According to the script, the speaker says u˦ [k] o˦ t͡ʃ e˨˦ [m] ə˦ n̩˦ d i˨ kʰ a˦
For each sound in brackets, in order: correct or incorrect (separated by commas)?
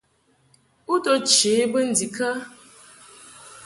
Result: incorrect, incorrect